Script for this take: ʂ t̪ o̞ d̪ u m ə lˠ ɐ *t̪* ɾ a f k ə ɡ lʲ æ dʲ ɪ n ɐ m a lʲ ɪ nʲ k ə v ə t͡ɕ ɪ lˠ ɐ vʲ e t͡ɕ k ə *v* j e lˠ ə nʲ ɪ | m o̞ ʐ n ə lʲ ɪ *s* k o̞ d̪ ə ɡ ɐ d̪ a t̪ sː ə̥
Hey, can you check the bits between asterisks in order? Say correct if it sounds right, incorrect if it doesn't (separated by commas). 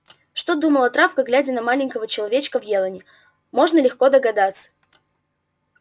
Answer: correct, correct, incorrect